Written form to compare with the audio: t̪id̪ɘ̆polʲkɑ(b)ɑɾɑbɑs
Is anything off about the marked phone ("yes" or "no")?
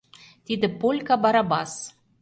no